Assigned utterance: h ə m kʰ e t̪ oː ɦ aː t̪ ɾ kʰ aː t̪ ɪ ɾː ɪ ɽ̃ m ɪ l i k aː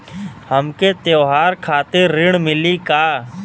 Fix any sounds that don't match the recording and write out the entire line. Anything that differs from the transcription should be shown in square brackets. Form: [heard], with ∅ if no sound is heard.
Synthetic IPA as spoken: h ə m [k] e t̪ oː ɦ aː [∅] ɾ kʰ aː t̪ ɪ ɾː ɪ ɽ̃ m ɪ l i k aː